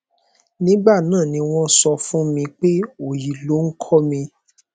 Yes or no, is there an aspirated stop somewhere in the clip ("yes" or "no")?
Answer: yes